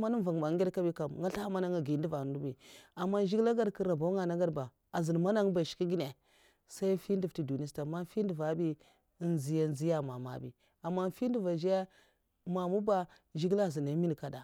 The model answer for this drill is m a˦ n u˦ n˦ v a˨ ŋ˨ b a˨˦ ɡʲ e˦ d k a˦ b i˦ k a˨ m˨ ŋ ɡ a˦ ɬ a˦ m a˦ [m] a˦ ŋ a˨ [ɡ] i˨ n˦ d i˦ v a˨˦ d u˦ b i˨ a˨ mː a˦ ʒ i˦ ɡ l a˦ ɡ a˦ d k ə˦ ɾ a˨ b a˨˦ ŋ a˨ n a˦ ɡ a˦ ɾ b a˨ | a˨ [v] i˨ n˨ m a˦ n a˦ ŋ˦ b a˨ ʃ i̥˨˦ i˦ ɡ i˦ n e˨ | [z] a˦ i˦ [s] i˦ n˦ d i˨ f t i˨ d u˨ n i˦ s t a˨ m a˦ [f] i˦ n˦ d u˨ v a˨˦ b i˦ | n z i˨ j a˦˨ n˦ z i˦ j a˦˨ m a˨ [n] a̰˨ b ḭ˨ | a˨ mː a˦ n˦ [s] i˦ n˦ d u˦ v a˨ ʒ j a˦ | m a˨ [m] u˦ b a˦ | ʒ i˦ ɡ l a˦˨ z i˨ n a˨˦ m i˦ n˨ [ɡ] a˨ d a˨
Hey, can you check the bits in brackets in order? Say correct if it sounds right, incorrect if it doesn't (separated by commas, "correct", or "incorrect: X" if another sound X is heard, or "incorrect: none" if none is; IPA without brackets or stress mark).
incorrect: n, correct, incorrect: z, incorrect: s, incorrect: f, correct, incorrect: m, incorrect: f, correct, incorrect: k